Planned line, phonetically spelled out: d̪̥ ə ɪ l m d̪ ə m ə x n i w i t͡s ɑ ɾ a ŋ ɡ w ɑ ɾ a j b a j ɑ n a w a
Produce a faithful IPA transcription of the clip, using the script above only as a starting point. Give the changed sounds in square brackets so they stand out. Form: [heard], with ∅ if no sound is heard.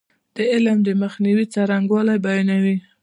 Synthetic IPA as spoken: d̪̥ ə ɪ l m d̪ ə m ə x n i w i t͡s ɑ ɾ a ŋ ɡ w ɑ [l] a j b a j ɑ n a w [i]